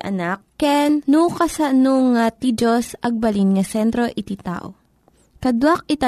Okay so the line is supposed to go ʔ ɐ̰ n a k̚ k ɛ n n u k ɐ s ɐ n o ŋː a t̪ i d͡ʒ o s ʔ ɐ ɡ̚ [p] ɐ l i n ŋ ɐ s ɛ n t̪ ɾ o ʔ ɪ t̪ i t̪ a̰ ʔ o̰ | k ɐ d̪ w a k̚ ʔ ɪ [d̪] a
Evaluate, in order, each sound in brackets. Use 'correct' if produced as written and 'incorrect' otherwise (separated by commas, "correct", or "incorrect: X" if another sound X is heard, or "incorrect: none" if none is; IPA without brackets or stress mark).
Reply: incorrect: b, incorrect: t̪